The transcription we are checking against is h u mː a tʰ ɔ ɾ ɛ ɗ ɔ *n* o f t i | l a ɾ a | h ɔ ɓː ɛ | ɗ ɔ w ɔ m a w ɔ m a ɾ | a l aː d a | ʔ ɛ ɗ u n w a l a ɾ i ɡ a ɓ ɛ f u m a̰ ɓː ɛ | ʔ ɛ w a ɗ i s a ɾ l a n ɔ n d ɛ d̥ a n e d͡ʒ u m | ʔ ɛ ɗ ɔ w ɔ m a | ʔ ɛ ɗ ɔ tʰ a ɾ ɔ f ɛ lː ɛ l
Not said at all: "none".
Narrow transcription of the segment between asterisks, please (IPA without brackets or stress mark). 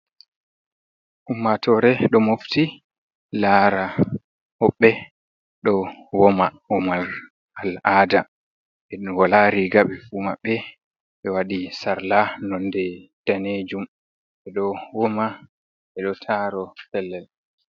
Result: m